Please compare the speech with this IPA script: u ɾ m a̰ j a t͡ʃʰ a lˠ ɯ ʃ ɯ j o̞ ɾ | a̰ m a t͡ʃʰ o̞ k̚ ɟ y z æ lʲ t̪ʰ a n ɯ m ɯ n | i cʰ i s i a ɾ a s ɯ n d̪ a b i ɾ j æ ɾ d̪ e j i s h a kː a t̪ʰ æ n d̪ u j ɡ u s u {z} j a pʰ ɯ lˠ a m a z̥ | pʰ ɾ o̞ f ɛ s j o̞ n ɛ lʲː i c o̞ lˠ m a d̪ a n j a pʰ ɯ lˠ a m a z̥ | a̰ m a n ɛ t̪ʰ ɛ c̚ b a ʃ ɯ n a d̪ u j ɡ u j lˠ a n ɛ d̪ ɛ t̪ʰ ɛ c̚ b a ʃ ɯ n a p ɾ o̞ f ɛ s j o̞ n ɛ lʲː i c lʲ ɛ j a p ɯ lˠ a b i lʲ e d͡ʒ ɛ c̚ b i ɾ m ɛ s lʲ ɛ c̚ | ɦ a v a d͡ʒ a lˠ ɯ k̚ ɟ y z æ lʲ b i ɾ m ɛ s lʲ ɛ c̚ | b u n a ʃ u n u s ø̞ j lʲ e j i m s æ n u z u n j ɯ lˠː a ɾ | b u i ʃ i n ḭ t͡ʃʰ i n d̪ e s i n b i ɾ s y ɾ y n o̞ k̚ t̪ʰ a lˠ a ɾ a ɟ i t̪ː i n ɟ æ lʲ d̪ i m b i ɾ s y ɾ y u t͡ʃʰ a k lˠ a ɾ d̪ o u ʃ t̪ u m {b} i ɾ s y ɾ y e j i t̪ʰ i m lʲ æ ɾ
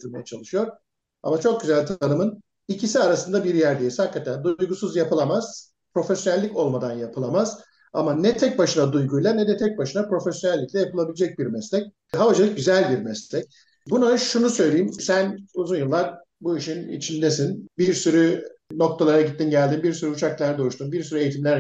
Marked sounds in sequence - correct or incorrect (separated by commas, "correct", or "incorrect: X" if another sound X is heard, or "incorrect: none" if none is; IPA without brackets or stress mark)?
correct, correct